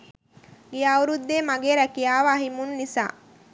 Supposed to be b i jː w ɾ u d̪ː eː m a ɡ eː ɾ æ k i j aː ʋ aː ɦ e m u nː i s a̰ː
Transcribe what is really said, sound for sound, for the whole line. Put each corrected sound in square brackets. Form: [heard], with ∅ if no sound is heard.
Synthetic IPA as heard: [ɡ] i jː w ɾ u d̪ː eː m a ɡ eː ɾ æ k i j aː ʋ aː ɦ [i] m u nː i s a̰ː